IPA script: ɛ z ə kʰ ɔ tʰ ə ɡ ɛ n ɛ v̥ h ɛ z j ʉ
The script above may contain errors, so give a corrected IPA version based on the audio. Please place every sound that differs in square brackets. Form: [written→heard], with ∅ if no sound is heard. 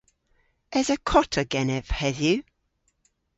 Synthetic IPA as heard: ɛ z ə kʰ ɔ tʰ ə ɡ ɛ n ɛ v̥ h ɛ [z→ð] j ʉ